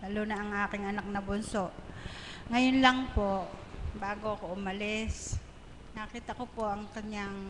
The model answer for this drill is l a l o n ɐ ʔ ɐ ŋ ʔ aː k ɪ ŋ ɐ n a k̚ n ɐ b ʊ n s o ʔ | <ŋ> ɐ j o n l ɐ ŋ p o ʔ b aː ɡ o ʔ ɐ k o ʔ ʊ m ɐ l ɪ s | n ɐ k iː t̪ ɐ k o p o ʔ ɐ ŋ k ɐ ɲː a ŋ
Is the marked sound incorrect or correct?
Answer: correct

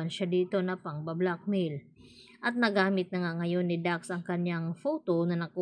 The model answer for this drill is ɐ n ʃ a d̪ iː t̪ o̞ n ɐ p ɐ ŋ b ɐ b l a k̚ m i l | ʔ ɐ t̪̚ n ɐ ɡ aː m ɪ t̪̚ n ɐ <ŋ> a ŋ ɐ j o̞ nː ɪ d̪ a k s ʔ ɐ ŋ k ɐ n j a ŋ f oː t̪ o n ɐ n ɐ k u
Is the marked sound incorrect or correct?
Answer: correct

